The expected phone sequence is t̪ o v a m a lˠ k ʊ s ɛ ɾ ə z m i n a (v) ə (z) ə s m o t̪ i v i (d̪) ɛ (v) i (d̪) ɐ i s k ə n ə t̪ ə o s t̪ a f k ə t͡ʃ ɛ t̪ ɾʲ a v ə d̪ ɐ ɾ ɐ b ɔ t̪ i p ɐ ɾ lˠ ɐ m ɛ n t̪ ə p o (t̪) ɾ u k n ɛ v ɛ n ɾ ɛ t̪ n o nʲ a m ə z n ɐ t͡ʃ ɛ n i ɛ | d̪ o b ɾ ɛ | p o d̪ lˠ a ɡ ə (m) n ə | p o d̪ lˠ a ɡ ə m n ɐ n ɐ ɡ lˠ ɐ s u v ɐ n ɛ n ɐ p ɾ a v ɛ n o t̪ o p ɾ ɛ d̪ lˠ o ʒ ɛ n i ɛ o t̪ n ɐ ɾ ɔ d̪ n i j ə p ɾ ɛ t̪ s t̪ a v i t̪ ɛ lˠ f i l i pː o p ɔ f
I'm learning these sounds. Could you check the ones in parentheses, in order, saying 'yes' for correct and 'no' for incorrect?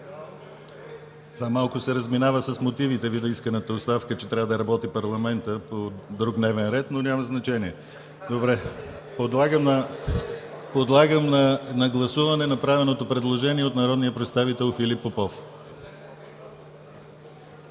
yes, no, no, yes, yes, no, yes

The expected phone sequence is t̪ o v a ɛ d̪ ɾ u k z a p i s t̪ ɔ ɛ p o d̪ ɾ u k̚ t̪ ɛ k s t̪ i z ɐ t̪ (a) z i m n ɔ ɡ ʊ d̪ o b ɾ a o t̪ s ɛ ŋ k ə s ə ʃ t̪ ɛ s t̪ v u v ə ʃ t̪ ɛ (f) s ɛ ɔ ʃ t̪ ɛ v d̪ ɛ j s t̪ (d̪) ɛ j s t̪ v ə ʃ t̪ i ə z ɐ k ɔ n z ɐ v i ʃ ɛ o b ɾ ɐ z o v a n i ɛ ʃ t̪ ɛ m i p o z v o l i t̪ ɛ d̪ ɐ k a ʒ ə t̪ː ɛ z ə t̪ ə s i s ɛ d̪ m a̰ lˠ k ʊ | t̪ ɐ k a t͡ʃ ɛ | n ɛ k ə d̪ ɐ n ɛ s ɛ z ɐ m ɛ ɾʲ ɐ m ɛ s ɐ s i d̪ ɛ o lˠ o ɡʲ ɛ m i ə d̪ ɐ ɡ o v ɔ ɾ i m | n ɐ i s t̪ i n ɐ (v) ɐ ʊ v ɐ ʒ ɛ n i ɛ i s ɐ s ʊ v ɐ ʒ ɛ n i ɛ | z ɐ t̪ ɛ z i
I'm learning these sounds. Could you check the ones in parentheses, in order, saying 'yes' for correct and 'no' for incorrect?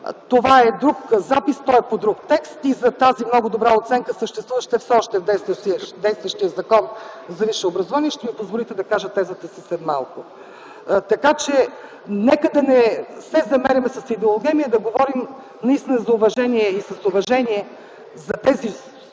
yes, yes, yes, no

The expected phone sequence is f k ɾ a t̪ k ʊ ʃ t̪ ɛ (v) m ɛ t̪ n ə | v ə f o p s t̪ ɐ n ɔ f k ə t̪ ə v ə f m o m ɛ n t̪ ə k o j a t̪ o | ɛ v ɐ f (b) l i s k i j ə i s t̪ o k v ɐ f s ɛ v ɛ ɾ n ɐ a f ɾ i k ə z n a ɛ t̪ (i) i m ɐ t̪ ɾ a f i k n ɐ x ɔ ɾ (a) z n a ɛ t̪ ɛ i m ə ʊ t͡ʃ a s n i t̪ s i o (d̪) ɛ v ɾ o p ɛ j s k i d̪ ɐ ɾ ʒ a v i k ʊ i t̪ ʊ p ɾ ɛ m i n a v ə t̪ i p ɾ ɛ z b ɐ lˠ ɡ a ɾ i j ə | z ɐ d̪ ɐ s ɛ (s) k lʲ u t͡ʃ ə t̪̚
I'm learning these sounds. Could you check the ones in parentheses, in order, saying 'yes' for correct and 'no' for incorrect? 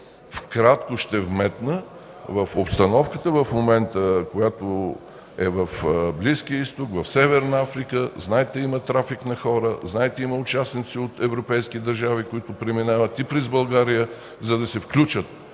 yes, yes, no, no, no, no

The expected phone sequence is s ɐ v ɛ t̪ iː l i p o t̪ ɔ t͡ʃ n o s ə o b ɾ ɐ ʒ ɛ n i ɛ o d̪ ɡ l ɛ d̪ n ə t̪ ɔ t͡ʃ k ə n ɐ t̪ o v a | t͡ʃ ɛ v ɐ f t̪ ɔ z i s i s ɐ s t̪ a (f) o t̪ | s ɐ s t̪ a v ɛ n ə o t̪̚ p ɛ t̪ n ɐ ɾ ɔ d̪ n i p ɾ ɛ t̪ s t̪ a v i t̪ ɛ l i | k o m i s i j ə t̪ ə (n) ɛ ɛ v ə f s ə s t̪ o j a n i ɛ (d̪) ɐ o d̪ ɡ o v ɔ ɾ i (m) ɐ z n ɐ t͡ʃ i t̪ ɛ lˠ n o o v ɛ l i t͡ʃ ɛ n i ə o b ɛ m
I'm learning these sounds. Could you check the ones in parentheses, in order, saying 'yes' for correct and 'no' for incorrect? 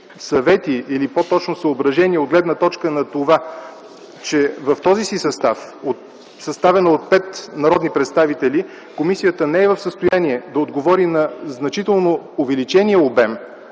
yes, yes, yes, no

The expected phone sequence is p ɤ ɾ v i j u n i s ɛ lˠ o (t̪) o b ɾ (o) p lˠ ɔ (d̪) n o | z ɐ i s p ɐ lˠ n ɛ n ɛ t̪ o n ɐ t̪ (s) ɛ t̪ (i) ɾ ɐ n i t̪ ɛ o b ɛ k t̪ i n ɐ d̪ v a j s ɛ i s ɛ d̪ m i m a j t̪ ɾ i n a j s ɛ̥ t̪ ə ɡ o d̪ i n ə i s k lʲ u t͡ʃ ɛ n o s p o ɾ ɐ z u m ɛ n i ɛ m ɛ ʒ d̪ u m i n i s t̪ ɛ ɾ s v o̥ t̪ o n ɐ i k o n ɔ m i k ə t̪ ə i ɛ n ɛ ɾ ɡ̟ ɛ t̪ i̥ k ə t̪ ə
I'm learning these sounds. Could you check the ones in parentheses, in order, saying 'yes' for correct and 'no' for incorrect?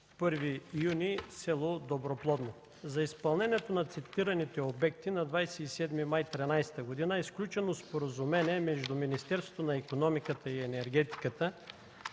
no, yes, yes, yes, yes

